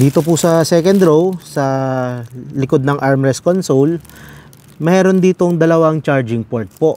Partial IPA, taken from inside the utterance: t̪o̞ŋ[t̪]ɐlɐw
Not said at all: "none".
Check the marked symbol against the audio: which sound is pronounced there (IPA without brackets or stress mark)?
d̪